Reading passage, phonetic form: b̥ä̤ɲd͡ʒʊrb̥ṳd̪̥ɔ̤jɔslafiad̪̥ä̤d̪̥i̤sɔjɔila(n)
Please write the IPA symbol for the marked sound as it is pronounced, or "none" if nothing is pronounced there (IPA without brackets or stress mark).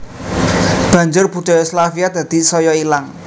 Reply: ŋ